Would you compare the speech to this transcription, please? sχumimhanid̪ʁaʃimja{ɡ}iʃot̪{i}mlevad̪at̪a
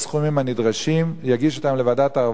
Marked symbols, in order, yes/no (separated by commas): yes, no